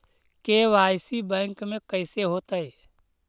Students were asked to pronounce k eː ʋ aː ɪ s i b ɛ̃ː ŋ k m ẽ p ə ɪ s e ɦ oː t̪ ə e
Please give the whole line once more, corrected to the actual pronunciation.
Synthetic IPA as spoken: k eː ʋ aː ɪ s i b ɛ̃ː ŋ k m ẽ k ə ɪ s e ɦ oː t̪ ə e